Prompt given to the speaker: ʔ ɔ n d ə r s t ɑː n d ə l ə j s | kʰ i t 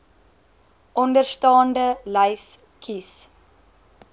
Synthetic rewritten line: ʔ ɔ n d ə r s t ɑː n d ə l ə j s | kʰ i s